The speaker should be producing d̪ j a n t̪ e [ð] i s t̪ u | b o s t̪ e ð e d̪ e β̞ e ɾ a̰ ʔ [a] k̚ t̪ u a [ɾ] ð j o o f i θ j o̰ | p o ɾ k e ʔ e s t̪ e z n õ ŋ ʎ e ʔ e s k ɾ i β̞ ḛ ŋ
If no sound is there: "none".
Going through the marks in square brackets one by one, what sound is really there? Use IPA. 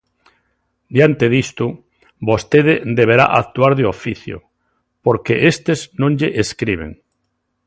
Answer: ð, a, ɾ

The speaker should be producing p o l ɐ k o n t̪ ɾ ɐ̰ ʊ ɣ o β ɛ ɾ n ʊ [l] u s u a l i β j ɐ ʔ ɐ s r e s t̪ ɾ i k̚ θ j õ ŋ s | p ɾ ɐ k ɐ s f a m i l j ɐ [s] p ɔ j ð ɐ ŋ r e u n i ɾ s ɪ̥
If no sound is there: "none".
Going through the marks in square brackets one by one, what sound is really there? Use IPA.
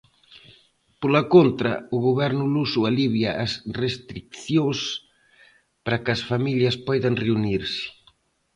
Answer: l, s

